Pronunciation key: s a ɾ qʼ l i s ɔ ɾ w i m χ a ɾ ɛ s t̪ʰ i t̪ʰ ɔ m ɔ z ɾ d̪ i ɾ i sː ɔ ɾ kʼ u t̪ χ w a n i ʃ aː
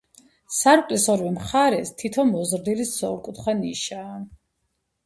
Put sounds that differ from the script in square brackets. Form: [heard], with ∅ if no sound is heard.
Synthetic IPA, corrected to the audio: s a ɾ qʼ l i s ɔ ɾ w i m χ a ɾ ɛ s t̪ʰ i t̪ʰ ɔ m ɔ z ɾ d̪ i [l] i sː ɔ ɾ kʼ u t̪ χ w a n i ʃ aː